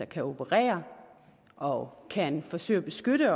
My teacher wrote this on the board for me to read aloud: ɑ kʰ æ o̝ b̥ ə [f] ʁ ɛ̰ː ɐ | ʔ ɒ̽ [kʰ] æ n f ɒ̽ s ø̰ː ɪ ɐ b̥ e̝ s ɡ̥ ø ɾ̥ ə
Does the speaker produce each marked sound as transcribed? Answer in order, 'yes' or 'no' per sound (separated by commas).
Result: no, yes